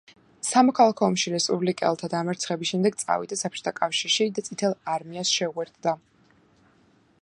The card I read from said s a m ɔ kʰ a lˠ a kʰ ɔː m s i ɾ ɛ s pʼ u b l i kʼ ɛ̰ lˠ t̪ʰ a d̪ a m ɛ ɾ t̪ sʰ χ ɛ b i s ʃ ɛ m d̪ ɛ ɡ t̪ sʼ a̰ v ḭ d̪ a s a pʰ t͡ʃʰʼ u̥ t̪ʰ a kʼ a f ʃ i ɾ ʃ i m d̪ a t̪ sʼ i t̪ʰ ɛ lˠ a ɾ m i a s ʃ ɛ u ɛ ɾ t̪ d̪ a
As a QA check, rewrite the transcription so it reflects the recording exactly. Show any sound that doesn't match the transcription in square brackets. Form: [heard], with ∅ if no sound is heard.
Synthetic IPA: s a m ɔ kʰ a lˠ a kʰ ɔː m [ʃ] i ɾ ɛ s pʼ u b l i kʼ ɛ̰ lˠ t̪ʰ a d̪ a m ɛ ɾ t̪ sʰ χ ɛ b i s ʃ ɛ m d̪ ɛ ɡ t̪ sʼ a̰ v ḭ d̪ a s a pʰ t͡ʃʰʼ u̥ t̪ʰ a kʼ a f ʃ i ɾ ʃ i [∅] d̪ a t̪ sʼ i t̪ʰ ɛ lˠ a ɾ m i a s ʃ ɛ u ɛ ɾ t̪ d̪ a